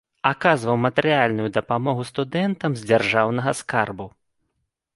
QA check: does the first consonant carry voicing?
no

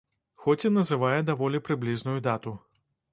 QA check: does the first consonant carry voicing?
no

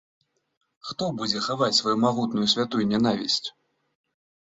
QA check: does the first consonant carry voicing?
no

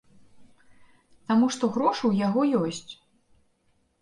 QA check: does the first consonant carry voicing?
no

